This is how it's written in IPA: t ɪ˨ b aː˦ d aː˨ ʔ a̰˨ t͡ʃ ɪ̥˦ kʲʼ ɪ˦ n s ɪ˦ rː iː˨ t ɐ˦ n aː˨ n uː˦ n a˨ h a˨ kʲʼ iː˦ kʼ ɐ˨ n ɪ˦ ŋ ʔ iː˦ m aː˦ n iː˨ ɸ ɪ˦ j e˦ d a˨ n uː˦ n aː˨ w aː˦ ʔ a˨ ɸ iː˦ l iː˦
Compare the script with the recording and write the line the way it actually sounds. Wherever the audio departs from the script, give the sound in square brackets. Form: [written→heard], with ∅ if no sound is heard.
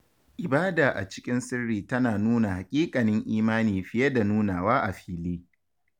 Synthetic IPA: [t→ʔ] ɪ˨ b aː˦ d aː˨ ʔ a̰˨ t͡ʃ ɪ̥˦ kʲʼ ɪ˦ n s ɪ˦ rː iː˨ t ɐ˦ n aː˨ n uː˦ n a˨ h a˨ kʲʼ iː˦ kʼ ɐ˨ n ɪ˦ ŋ ʔ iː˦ m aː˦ n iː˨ ɸ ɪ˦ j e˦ d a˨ n uː˦ n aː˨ w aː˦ ʔ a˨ ɸ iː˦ l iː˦